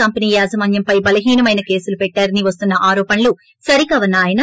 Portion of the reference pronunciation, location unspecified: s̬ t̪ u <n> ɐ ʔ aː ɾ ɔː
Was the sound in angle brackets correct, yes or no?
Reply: no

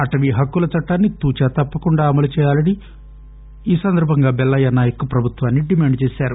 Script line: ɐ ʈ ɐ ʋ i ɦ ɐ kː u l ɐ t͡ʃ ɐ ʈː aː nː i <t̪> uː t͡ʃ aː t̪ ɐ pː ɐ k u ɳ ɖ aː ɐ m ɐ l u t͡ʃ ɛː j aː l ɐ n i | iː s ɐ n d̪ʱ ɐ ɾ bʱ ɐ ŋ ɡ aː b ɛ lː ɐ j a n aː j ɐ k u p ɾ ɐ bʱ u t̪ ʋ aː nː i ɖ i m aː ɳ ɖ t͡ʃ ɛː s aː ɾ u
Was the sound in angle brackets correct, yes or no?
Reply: yes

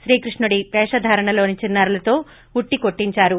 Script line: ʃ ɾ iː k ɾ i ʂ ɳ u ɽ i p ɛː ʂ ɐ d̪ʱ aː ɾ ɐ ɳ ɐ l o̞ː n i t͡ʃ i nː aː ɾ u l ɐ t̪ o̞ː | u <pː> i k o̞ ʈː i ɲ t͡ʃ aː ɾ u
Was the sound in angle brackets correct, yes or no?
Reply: no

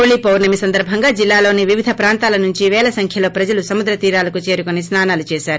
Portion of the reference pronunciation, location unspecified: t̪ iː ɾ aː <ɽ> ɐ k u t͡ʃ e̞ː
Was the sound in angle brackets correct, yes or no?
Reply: no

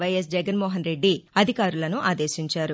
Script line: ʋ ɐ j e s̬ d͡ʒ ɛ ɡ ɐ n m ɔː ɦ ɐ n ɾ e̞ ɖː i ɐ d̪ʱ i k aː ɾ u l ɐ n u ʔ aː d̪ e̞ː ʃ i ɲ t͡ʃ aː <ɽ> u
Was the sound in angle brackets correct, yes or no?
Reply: no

